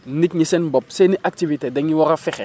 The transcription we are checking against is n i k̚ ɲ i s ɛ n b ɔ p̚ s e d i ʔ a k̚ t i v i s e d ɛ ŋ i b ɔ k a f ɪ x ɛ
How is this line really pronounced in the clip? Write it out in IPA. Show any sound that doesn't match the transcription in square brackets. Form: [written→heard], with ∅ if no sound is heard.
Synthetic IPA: n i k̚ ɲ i s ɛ n b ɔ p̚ s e [d→n] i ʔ a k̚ t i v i [s→t] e d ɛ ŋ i [b→w] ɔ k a f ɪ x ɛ